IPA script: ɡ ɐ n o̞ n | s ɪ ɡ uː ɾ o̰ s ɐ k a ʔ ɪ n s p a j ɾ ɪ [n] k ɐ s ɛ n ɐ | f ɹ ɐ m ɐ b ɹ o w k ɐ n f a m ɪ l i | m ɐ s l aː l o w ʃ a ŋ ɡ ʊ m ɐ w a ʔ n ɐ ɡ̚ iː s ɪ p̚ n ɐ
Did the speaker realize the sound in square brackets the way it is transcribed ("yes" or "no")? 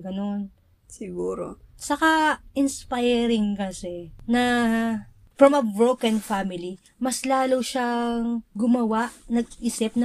no